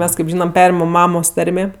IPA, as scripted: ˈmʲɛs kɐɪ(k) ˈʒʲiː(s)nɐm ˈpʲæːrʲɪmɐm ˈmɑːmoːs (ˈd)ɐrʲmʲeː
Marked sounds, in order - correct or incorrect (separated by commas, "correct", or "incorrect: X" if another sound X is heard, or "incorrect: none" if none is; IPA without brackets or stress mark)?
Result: incorrect: p, incorrect: none, incorrect: t